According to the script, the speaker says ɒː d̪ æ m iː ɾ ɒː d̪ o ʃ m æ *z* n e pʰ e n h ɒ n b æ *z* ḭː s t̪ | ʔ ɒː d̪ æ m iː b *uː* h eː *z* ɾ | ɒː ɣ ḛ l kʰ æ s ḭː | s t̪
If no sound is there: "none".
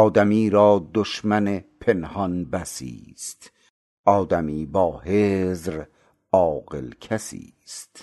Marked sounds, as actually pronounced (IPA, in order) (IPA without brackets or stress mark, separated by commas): none, s, ɒː, z